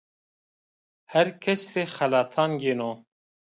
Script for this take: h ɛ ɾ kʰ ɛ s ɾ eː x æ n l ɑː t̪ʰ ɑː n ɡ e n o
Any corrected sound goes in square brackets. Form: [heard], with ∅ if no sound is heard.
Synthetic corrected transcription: h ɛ ɾ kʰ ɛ s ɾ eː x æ [∅] l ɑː t̪ʰ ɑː n ɡ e n o